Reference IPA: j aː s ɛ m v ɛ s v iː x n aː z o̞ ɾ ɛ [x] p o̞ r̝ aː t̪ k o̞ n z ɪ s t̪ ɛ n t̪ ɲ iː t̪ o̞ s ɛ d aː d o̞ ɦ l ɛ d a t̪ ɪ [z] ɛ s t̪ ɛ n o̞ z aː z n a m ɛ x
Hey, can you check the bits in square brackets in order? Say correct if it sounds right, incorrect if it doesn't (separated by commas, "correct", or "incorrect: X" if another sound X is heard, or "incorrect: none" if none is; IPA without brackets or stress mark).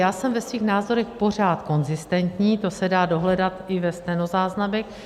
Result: correct, incorrect: v